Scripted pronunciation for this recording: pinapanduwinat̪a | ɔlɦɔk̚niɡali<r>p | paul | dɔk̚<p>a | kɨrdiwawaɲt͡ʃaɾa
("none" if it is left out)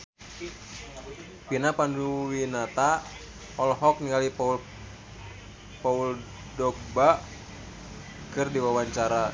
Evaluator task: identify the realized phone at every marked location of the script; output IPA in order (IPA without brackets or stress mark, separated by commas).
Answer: none, b